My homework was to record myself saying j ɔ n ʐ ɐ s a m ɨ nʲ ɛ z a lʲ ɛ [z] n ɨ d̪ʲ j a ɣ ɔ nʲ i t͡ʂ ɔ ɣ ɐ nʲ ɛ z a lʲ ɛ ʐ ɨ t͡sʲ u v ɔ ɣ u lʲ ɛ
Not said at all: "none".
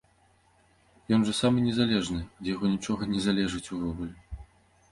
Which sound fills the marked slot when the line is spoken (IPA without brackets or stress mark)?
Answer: ʐ